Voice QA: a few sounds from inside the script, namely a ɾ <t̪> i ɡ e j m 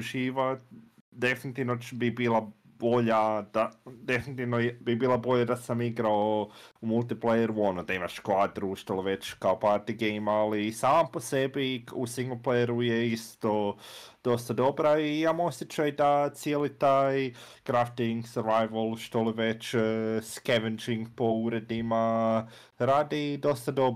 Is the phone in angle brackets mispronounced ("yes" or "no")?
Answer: no